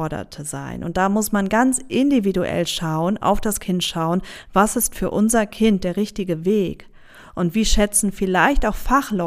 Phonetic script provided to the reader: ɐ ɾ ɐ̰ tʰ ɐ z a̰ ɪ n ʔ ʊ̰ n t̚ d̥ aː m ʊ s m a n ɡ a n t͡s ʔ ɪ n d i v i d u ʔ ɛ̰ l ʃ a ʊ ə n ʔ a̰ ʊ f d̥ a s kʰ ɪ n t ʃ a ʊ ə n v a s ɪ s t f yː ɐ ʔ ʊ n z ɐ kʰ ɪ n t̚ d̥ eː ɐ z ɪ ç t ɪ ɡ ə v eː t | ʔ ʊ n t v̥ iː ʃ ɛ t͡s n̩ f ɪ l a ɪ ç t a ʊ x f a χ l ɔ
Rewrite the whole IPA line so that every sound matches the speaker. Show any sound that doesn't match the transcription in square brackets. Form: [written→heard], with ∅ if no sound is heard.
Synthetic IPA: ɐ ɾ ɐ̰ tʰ [ɐ→ə] z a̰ ɪ n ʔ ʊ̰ n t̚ d̥ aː m ʊ s m a n ɡ a n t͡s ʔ ɪ n d i v i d u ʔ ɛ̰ l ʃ a ʊ ə n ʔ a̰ ʊ f d̥ a s kʰ ɪ n t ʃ a ʊ ə n v a s ɪ s t f yː ɐ ʔ ʊ n z ɐ kʰ ɪ n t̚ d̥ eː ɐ [z→ʁ] ɪ ç t ɪ ɡ ə v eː [t→k] | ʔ ʊ n t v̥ iː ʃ ɛ t͡s n̩ f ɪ l a ɪ ç t a ʊ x f a χ l ɔ